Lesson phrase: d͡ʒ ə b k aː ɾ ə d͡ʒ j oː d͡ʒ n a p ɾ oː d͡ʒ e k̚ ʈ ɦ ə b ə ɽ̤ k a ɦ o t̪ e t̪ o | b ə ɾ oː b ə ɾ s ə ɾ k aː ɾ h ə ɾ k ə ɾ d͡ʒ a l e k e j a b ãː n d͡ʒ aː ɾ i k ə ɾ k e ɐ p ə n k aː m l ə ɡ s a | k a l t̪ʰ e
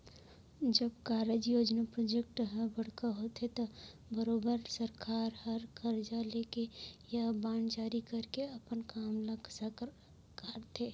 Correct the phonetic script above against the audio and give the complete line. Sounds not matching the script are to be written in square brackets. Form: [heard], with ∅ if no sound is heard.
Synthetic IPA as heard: d͡ʒ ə b k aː ɾ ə d͡ʒ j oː d͡ʒ n a p ɾ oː d͡ʒ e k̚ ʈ ɦ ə b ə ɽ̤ k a ɦ o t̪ e t̪ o | b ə ɾ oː b ə ɾ s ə ɾ k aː ɾ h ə ɾ k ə ɾ d͡ʒ a l e k e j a b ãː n d͡ʒ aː ɾ i k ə ɾ k e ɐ p ə n k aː m l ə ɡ s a | k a [ɾ] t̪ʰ e